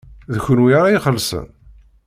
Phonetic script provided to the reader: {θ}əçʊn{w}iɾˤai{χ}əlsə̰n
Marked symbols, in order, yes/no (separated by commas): no, yes, yes